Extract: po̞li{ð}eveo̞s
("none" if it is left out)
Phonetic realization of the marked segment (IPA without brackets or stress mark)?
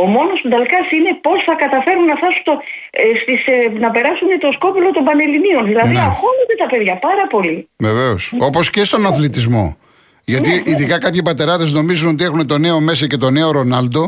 v